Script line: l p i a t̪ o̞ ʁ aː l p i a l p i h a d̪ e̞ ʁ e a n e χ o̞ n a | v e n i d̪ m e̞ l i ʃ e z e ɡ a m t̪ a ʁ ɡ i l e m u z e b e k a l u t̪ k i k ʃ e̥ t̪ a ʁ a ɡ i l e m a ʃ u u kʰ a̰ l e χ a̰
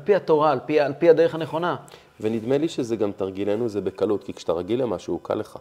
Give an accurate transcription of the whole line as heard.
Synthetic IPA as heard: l p i a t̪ o̞ ʁ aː l p i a l p i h a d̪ e̞ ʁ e a n e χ o̞ n a | v e n i d̪ m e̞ l i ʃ e z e ɡ a m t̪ a ʁ ɡ i l e n u z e b e k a l u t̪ k i k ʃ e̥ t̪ a ʁ a ɡ i l e m a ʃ u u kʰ a̰ l e χ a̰